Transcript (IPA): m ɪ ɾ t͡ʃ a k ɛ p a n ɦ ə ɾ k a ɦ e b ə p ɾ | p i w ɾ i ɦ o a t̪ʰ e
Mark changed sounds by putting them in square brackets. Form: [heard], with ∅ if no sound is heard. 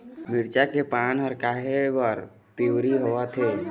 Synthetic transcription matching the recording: m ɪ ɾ t͡ʃ a k [e] p a n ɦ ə ɾ k a ɦ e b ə [∅] ɾ | p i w ɾ i ɦ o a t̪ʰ e